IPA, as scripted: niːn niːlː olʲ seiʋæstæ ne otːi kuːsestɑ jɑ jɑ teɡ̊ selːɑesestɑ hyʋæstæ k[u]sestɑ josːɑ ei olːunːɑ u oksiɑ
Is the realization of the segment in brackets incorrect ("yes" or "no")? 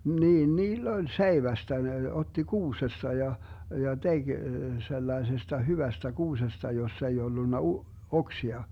yes